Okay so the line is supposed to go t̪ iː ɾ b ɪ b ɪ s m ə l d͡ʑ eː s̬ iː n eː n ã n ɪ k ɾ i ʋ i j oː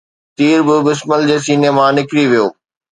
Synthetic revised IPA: t̪ iː ɾ b ɪ b ɪ s m ə l d͡ʑ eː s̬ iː n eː m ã n ɪ k ɾ i ʋ i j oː